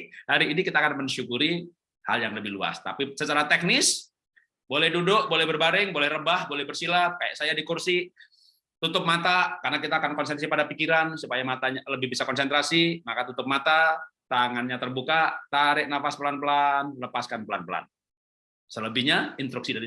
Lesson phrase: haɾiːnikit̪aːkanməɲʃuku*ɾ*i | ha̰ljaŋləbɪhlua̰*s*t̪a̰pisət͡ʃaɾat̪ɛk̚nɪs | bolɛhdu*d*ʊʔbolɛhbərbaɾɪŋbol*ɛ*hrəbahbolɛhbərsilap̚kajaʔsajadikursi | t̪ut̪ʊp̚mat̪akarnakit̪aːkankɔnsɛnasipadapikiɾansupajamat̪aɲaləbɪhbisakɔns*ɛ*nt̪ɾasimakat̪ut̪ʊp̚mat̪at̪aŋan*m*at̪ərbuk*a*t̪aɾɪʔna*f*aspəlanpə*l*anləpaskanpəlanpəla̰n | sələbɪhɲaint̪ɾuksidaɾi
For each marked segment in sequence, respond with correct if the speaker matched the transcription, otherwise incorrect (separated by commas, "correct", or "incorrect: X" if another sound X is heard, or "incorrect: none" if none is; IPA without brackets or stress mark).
correct, correct, correct, correct, correct, incorrect: ɲ, correct, correct, correct